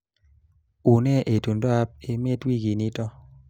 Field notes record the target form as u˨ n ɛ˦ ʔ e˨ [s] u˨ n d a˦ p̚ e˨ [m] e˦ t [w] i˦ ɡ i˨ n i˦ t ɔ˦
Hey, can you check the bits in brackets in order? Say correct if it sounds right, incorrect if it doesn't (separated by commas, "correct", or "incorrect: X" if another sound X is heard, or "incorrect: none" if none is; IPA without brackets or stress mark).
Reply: incorrect: t, correct, correct